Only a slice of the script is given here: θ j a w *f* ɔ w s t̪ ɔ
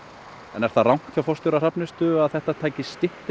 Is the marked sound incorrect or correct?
correct